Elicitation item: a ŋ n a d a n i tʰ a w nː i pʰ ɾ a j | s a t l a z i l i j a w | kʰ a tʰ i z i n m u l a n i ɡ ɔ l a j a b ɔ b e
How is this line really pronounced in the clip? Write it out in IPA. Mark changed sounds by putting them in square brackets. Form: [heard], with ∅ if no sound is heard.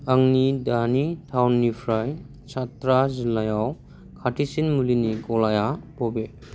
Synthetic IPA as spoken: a ŋ n [i] d a n i tʰ a w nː i pʰ ɾ a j | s a t [ɾ] a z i l [a] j a w | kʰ a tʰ i [s] i n m u l [i] n i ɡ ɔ l a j a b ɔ b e